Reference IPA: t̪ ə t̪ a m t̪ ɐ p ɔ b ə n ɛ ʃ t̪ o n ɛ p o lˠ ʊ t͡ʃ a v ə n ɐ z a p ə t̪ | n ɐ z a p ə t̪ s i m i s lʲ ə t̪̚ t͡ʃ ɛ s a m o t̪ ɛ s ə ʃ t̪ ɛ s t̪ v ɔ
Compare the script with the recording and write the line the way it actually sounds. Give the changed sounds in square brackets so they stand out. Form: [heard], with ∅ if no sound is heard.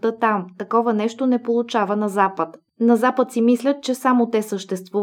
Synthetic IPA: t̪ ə t̪ a m t̪ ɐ [k] ɔ [v] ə n ɛ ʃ t̪ o n ɛ p o lˠ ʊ t͡ʃ a v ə n ɐ z a p ə t̪ | n ɐ z a p ə t̪ s i m i s lʲ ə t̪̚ t͡ʃ ɛ s a m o t̪ ɛ s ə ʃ t̪ ɛ s t̪ v [u]